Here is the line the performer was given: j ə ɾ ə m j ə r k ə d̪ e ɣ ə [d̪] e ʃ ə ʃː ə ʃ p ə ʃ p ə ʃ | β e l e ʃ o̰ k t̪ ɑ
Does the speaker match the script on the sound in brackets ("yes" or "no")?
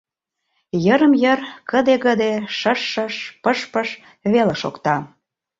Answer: yes